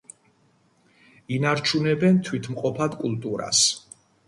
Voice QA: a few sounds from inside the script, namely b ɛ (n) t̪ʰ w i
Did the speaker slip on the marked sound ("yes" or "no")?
no